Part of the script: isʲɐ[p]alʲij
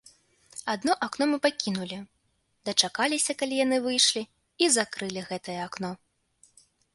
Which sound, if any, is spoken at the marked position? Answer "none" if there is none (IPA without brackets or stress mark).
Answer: k